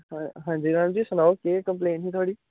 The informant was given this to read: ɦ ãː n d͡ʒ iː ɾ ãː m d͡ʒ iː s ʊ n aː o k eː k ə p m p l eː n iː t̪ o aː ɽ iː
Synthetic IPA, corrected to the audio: ɦ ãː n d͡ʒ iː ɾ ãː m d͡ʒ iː s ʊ n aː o k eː k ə m p l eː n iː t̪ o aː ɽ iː